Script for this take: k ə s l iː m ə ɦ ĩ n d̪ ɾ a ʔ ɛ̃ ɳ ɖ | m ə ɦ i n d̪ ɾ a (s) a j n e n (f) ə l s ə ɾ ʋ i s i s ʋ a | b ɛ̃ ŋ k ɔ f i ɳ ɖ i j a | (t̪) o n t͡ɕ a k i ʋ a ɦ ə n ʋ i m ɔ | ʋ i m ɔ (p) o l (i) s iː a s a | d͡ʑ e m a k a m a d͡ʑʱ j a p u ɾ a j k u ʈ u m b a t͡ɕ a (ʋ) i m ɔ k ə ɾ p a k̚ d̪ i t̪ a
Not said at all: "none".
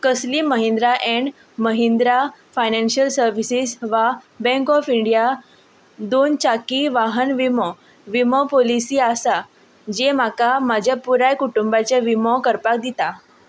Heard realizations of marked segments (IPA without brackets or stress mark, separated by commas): f, ɕ, d̪, p, i, ʋ